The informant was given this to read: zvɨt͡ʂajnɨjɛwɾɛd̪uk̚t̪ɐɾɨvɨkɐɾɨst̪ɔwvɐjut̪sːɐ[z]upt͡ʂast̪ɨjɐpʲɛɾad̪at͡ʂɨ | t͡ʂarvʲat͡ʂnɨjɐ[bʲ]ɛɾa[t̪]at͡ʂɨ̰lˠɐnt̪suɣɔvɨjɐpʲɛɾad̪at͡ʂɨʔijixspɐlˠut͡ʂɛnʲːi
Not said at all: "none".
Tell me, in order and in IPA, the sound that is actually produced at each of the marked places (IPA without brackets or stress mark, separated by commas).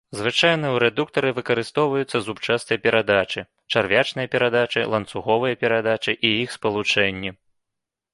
z, pʲ, d̪